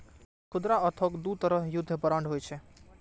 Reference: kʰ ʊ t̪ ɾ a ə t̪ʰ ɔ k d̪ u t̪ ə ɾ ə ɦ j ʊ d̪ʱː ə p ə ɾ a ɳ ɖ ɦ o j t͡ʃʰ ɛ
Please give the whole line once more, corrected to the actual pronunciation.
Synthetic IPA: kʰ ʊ d̪ ɾ a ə t̪ʰ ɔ k d̪ u t̪ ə ɾ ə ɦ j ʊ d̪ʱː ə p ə ɾ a ɳ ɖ ɦ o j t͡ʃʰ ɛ